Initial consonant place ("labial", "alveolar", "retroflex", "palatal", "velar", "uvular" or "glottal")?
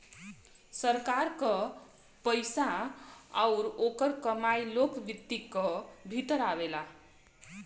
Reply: alveolar